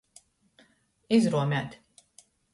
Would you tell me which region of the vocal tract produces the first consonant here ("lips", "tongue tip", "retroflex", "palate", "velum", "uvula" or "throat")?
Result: tongue tip